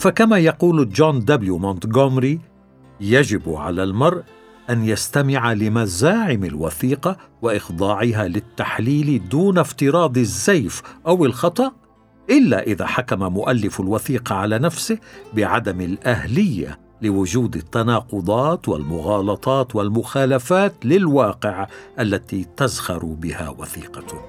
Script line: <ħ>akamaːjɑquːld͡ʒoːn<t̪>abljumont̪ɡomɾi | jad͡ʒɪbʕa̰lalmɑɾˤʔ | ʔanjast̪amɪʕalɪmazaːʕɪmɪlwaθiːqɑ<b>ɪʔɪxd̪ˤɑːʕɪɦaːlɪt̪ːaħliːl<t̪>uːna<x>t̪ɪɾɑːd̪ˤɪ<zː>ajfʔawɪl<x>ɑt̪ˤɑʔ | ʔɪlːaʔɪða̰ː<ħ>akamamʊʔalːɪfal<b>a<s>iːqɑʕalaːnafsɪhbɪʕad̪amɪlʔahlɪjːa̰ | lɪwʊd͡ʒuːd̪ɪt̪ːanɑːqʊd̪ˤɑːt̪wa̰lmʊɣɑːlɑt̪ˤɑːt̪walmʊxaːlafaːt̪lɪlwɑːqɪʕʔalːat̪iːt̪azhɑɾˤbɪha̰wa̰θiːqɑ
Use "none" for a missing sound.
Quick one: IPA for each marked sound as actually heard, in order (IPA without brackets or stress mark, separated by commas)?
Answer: f, d̪, w, d̪, f, zː, x, ħ, w, θ